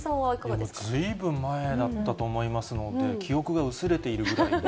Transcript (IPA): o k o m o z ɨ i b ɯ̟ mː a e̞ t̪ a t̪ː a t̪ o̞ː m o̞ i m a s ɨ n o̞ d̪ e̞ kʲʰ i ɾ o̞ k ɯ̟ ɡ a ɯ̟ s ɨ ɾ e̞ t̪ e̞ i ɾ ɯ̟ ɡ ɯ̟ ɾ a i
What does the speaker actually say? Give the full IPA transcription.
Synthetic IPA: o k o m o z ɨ i b ɯ̟̃ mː a e̞ d̪ a t̪ː a t̪ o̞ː m o̞ i m a s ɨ n o̞ d̪ e̞ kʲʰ i o̞ k ɯ̟ ɡ a ɯ̟ s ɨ ɾ e̞ t̪ e̞ i ɾ ɯ̟ ɡ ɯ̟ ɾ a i